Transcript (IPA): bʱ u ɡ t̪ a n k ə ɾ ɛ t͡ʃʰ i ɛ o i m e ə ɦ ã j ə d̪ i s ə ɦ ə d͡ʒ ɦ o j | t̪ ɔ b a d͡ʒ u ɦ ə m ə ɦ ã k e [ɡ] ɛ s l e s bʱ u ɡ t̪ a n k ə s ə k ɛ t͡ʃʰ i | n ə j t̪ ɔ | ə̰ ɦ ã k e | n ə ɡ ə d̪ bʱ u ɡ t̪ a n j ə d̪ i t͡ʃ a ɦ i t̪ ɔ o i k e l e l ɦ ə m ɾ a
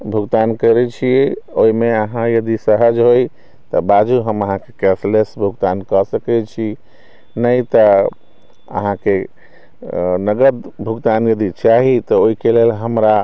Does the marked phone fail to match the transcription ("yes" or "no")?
yes